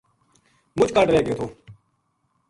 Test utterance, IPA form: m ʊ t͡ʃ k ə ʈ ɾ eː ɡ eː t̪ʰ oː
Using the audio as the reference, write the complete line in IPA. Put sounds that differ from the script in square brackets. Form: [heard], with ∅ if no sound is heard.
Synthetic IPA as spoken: m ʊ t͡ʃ k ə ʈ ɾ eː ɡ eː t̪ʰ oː

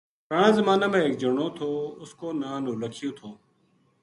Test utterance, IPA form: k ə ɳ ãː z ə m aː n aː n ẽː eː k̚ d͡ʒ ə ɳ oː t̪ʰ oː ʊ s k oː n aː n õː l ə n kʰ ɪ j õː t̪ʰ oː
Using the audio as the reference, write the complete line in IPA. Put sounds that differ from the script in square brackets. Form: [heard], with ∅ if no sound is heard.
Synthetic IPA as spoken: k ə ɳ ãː z ə m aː n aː [m] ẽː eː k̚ d͡ʒ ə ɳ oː t̪ʰ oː ʊ s k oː n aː n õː l ə [∅] kʰ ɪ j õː t̪ʰ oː

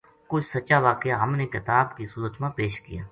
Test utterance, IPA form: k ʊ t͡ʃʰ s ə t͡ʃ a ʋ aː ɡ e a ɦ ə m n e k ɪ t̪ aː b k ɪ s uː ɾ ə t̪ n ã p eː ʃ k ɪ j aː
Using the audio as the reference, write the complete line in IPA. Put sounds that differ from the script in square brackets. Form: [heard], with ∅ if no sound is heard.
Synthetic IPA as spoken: k ʊ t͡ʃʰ s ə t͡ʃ a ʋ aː [k] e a ɦ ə m n e k ɪ t̪ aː b k [i] s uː ɾ ə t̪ [m] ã p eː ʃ k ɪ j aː

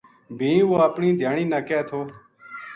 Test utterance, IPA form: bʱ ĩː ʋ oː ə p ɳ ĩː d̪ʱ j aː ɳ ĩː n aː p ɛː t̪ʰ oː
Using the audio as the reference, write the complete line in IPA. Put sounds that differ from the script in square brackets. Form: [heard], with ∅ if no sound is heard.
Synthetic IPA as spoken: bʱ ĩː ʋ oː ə p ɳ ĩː d̪ʱ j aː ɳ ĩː n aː [k] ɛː t̪ʰ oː

